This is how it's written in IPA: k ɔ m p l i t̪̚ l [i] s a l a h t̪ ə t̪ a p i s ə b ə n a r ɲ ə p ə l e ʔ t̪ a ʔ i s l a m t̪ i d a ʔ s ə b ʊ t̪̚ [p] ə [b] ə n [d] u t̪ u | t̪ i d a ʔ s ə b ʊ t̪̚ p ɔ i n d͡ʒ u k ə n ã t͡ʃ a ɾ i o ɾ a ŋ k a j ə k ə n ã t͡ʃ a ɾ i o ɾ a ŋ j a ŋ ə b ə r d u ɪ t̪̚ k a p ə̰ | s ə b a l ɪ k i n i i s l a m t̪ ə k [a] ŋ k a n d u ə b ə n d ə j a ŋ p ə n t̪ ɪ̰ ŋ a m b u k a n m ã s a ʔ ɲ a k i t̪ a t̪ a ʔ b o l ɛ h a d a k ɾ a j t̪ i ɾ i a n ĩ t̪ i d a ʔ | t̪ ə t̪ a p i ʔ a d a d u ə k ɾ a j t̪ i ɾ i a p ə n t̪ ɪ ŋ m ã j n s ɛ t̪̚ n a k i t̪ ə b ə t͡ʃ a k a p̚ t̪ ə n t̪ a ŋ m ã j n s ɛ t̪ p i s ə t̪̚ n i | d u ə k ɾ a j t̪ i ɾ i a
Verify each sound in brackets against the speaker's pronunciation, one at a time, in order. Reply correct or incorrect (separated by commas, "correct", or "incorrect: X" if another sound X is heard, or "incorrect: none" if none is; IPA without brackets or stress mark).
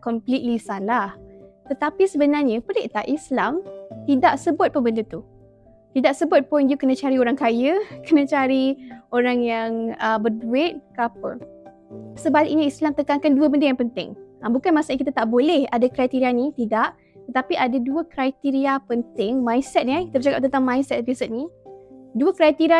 correct, correct, correct, correct, correct